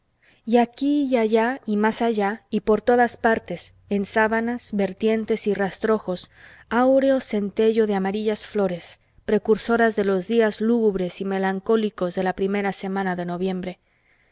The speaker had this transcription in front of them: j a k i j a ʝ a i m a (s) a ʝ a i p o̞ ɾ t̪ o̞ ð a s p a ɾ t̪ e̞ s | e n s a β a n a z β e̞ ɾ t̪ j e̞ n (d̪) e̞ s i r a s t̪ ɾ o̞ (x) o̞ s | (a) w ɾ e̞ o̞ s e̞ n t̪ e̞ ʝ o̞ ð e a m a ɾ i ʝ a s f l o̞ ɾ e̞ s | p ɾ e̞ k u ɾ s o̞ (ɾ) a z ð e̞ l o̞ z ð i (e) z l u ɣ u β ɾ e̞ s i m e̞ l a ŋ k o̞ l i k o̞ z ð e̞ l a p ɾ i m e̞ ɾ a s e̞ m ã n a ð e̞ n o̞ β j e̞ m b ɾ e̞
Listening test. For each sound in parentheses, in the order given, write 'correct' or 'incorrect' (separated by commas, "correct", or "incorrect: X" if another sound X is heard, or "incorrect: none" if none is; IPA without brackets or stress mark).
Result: correct, incorrect: t̪, correct, correct, correct, incorrect: a